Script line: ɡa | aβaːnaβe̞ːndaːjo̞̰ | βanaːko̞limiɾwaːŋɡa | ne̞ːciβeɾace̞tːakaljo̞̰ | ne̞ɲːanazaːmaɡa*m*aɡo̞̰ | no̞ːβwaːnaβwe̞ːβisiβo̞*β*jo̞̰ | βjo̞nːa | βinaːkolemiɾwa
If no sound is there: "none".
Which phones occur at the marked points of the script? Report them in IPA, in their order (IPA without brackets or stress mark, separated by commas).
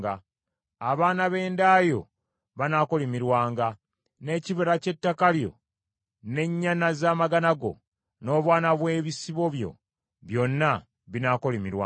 n, β